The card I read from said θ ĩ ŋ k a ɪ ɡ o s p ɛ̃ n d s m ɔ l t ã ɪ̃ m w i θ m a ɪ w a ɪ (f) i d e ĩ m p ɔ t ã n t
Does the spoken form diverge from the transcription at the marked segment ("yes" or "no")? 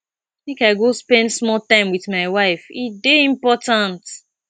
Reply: no